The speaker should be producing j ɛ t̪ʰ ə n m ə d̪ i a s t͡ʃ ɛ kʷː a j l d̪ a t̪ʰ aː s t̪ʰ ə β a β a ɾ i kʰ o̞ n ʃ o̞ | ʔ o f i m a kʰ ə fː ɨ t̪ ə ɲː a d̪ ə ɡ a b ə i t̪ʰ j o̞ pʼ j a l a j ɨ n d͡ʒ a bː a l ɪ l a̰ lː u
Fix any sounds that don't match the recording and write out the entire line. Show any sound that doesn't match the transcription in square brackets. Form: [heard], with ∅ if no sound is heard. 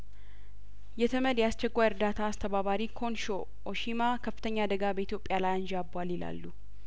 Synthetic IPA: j ɛ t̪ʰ ə [∅] m ə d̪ [j] a s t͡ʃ ɛ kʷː a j [ɾ] d̪ a t̪ʰ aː s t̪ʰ ə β a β a ɾ i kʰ o̞ n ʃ o̞ | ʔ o [ʃ] i m a kʰ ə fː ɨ t̪ ə ɲː a d̪ ə ɡ a b ə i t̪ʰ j o̞ pʼ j a l a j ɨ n d͡ʒ a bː a l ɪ l a̰ lː u

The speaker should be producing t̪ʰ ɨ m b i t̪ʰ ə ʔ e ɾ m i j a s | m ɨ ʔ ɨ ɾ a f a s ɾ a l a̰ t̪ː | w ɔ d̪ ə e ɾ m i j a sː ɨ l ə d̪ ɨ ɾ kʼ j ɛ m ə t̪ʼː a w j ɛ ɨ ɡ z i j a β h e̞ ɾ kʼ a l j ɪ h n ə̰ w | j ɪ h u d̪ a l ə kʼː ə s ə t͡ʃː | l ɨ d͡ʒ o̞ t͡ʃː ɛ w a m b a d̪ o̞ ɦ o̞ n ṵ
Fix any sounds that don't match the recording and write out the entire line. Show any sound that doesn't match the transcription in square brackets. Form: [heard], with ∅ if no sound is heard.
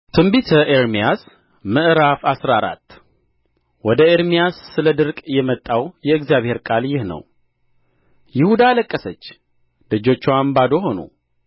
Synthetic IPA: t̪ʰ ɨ m b i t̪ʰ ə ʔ e ɾ m i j a s | m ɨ ʔ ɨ ɾ a f a s ɾ a [ɾ] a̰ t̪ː | w ɔ d̪ ə e ɾ m i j a sː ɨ l ə d̪ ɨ ɾ kʼ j ɛ m ə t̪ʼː a w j ɛ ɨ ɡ z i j a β h e̞ ɾ kʼ a l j ɪ h n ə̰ w | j ɪ h u d̪ a l ə kʼː ə s ə t͡ʃː | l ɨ d͡ʒ o̞ t͡ʃː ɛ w a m b a d̪ o̞ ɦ o̞ n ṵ

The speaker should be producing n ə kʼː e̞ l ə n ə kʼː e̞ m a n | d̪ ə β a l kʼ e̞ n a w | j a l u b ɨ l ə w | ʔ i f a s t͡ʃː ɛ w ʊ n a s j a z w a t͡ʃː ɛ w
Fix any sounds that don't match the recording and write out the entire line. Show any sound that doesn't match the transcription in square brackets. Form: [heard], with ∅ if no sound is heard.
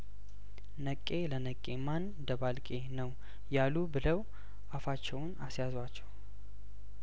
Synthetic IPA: n ə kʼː e̞ l ə n ə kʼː e̞ m a n | d̪ ə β a l kʼ e̞ n [ə] w | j a l u b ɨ l ə w | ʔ [a] f a [∅] t͡ʃː ɛ w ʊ n a s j a z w a t͡ʃː ɛ w

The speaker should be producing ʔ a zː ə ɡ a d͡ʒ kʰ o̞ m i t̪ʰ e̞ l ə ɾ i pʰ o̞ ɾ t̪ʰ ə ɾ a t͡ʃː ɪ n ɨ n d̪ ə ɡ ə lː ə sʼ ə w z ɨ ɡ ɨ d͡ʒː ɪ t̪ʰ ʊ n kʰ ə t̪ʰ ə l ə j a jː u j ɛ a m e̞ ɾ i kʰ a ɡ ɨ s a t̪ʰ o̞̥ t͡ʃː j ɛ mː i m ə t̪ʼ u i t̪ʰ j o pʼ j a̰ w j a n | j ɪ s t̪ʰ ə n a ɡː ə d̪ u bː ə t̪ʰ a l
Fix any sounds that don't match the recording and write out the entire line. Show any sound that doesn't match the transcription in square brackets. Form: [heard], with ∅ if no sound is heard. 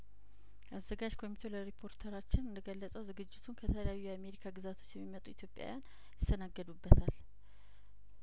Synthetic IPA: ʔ a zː ə ɡ a d͡ʒ kʰ o̞ m i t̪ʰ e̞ l ə ɾ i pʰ o̞ ɾ t̪ʰ ə ɾ a t͡ʃː ɪ n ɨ n d̪ ə ɡ ə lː ə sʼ ə w z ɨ ɡ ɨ d͡ʒː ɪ t̪ʰ [u] n kʰ ə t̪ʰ ə l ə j a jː u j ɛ a m e̞ ɾ i kʰ a ɡ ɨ [z] a t̪ʰ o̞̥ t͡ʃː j ɛ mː i m ə t̪ʼ u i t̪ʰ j o pʼ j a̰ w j a n | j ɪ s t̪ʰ ə n a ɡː ə d̪ u bː ə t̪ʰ a l

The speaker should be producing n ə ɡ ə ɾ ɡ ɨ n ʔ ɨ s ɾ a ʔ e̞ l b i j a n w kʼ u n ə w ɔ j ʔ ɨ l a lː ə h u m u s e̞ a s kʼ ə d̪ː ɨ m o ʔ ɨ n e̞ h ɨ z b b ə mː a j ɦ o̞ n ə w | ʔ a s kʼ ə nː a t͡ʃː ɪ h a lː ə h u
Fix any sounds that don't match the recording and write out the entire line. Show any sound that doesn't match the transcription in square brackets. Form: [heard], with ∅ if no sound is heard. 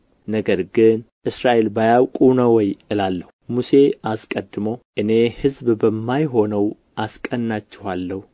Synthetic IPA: n ə ɡ ə ɾ ɡ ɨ n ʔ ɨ s ɾ a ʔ e̞ l b [a] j a [∅] w kʼ u n ə w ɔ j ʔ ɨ l a lː ə h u m u s e̞ a s kʼ ə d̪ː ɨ m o ʔ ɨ n e̞ h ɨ z b b ə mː a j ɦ o̞ n ə w | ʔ a s kʼ ə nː a t͡ʃː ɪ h a lː ə h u

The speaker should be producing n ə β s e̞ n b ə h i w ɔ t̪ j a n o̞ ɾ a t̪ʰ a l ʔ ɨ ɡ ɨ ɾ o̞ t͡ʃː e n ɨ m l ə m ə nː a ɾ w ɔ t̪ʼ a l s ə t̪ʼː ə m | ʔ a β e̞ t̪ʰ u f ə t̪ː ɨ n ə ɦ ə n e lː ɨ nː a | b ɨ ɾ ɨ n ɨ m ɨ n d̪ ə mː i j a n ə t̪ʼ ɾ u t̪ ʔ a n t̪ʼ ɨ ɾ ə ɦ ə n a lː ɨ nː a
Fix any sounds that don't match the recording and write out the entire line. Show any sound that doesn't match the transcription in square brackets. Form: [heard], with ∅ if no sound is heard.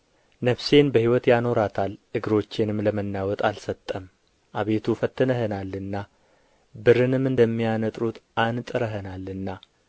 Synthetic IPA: n ə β s e̞ n b ə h i w ɔ t̪ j a n o̞ ɾ a t̪ʰ a l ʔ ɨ ɡ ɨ ɾ o̞ t͡ʃː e n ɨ m l ə m ə nː a [∅] w ɔ t̪ʼ a l s ə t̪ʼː ə m | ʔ a β e̞ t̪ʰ u f ə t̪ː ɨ n ə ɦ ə n [a] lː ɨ nː a | b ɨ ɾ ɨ n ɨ m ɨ n d̪ ə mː i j a n ə t̪ʼ ɾ u t̪ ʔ a n t̪ʼ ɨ ɾ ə ɦ ə n a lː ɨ nː a

